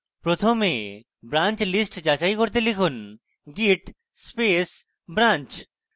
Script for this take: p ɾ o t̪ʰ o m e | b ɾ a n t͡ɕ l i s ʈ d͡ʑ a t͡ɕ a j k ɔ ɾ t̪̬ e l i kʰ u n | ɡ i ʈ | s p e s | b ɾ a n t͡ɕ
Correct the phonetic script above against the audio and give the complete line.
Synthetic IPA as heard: p ɾ o t̪ʰ o m e | b ɾ a n t͡ɕ l i s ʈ d͡ʑ a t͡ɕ a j k o ɾ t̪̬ e l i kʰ u n | ɡ i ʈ | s p e s | b ɾ a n t͡ɕ